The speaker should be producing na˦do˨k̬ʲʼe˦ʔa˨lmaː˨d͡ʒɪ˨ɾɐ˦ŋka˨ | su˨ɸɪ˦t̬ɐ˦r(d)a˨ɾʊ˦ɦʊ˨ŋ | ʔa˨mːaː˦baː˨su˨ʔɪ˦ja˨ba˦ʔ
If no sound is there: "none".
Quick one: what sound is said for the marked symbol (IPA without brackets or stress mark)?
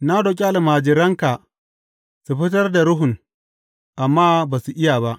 d